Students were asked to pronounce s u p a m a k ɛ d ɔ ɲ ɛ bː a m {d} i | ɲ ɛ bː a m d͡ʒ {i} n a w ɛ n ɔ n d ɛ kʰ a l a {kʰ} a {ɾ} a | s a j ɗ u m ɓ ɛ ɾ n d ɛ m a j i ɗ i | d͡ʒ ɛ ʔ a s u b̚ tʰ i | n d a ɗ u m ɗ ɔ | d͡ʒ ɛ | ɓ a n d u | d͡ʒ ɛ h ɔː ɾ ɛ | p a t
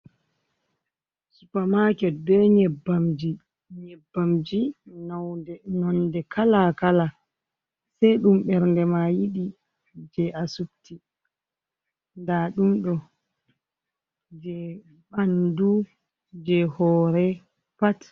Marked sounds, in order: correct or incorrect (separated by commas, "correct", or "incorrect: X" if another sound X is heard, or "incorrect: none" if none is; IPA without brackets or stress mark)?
incorrect: d͡ʒ, correct, incorrect: k, incorrect: l